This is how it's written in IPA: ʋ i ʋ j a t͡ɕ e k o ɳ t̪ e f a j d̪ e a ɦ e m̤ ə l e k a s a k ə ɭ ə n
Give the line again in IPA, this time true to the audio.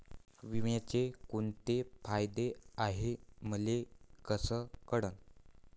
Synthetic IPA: ʋ i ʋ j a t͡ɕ e k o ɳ t̪ e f a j d̪ e a ɦ e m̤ ə l e k ə s ə k ə ɽ ə n